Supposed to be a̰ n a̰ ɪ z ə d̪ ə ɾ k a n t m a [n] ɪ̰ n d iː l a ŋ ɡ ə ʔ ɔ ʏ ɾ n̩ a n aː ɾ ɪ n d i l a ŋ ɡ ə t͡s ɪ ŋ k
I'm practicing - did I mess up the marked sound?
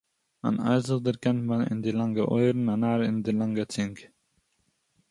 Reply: no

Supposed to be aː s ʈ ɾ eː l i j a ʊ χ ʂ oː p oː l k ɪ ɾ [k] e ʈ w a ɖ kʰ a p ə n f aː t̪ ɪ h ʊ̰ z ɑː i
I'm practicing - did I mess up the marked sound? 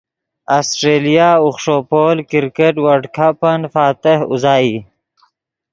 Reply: no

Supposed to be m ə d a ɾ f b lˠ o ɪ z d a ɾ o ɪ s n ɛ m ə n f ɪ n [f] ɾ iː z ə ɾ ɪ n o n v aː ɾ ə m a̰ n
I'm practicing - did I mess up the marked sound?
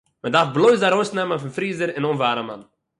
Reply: no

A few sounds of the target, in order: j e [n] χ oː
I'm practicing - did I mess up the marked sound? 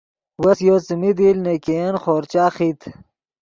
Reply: no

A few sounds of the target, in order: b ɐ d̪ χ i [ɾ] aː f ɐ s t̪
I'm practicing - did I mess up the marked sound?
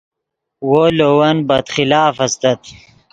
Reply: yes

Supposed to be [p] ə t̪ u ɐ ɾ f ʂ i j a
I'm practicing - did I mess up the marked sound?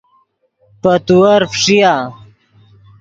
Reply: no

